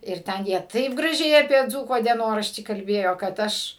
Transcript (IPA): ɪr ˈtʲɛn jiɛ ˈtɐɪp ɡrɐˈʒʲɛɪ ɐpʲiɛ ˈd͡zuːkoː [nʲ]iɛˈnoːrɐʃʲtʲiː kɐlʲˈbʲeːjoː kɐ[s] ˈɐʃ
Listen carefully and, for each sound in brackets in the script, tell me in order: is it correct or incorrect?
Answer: incorrect: dʲ, incorrect: t

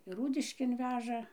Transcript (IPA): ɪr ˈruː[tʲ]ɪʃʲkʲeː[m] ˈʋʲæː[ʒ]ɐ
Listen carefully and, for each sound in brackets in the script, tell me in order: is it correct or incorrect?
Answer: incorrect: dʲ, incorrect: n, correct

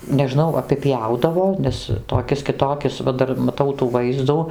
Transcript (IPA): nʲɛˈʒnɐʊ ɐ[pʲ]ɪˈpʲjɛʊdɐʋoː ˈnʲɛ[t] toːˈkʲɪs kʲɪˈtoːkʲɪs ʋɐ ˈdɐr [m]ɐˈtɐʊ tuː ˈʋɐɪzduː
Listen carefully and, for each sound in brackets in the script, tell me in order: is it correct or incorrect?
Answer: correct, incorrect: s, correct

